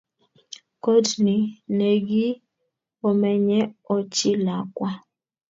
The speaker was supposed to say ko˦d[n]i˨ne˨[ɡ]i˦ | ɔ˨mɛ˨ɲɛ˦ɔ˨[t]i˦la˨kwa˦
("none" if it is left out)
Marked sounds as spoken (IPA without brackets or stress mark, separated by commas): n, ɡ, t͡ʃ